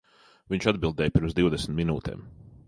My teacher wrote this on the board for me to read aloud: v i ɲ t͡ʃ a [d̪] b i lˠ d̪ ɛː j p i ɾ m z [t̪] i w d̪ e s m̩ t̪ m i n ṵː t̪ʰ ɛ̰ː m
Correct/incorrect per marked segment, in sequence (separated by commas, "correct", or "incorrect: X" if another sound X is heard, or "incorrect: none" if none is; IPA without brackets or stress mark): correct, incorrect: d̪